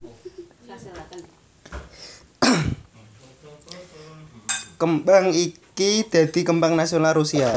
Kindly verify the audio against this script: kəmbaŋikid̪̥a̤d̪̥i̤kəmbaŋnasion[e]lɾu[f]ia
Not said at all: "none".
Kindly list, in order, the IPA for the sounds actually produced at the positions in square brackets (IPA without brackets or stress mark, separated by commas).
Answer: a, s